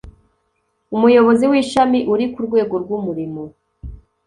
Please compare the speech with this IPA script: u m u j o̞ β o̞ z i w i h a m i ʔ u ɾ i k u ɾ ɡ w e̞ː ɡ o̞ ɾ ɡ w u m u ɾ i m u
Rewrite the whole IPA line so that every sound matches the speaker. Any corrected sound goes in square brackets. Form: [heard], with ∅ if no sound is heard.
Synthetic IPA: u m u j o̞ β o̞ z i w i [ʃ] a m i ʔ u ɾ i k u ɾ ɡ w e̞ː ɡ o̞ ɾ ɡ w u m u ɾ i m [o]